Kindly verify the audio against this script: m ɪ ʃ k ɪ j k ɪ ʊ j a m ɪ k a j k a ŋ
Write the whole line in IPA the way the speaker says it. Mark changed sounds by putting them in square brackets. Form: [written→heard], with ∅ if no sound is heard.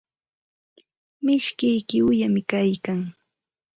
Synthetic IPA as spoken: m ɪ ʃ k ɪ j k ɪ ʊ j a m ɪ k a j k a ŋ